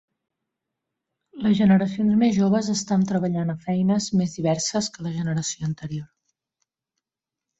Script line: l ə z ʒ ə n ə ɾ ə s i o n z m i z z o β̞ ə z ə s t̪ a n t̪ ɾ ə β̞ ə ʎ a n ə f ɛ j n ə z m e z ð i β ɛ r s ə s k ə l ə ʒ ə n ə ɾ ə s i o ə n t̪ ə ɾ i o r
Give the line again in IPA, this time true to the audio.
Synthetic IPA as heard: l ə z ʒ ə n ə ɾ ə s i o n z m e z ʒ o β̞ ə z ə s t̪ a n t̪ ɾ ə β̞ ə ʎ a n ə f ɛ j n ə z m e z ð i β ɛ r s ə s k ə l ə ʒ ə n ə ɾ ə s i o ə n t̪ ə ɾ i o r